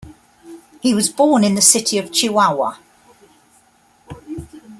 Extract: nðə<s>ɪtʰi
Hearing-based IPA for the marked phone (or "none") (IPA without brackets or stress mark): s